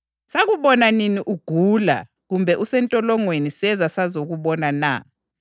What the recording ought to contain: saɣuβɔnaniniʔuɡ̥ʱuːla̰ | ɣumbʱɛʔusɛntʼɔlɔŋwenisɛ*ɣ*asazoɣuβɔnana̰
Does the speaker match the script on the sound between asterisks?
no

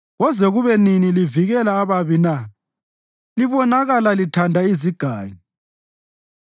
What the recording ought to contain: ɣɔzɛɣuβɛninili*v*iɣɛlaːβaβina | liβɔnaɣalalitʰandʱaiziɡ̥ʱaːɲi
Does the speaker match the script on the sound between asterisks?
yes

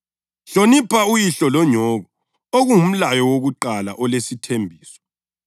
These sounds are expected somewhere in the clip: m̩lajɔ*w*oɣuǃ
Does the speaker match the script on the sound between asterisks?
yes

